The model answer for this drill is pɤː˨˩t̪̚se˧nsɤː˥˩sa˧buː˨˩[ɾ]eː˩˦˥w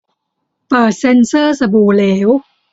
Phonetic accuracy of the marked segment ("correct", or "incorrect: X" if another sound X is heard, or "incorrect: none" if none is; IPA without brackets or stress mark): incorrect: l